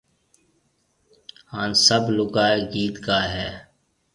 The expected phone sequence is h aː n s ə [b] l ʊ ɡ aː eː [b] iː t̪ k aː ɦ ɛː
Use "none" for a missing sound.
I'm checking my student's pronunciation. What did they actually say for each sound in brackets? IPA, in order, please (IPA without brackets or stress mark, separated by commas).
b, ɡ